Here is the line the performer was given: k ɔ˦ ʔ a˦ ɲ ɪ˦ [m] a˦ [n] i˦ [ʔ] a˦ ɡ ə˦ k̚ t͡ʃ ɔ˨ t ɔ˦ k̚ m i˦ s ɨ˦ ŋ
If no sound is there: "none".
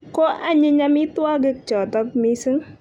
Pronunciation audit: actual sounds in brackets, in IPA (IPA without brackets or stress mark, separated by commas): ɲ, m, t